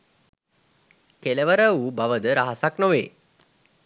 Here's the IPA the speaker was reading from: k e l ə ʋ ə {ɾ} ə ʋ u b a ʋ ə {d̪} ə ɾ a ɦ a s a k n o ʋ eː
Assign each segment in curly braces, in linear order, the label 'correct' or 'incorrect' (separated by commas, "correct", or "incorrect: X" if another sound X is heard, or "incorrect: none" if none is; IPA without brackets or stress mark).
correct, correct